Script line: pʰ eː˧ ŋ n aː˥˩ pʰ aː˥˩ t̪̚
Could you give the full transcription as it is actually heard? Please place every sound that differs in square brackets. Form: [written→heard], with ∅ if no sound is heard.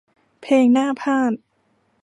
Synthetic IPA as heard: pʰ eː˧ ŋ n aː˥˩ pʰ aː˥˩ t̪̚